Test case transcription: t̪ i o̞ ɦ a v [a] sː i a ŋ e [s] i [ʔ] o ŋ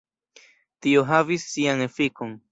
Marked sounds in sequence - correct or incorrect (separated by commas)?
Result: incorrect, incorrect, incorrect